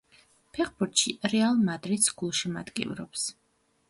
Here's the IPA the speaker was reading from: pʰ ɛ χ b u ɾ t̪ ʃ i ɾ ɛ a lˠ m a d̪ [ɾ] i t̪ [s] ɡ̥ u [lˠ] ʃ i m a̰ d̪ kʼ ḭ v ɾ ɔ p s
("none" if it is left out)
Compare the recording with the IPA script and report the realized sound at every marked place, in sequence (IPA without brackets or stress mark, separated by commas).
ɾ, s, lˠ